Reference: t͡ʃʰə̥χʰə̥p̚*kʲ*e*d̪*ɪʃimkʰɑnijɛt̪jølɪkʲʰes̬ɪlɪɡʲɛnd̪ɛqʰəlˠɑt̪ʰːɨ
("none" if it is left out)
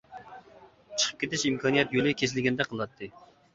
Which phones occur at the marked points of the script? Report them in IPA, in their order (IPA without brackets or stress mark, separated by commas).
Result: kʲ, t̪